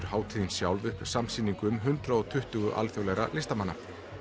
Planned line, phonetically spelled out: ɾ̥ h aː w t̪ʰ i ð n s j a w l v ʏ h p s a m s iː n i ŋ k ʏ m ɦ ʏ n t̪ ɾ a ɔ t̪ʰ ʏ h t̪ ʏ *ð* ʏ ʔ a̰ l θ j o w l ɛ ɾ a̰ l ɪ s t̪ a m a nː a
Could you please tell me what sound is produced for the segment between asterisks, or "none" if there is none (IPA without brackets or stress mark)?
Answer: ɣ